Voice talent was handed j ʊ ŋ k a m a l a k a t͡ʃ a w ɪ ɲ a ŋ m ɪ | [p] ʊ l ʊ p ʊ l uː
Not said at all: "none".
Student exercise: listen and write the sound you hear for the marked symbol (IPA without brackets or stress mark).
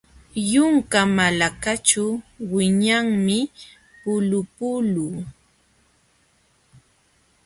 p